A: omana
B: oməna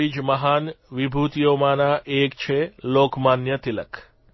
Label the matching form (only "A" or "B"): A